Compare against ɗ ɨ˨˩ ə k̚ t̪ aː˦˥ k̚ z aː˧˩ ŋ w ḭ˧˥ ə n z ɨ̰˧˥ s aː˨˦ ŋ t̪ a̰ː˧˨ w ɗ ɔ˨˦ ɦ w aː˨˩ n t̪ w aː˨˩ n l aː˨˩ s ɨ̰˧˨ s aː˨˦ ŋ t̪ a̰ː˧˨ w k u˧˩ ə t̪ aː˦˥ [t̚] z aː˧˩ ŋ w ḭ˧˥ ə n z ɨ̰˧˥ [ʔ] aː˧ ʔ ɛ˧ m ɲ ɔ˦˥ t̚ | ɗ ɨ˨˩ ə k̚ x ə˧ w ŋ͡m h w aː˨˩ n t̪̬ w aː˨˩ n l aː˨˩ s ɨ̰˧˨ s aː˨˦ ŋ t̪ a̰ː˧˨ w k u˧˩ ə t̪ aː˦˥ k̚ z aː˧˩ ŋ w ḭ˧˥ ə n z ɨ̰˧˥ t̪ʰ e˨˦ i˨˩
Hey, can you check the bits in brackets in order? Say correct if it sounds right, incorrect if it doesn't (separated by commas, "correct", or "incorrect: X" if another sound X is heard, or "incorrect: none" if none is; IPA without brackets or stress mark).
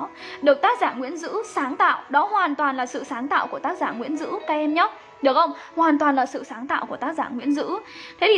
incorrect: k̚, incorrect: k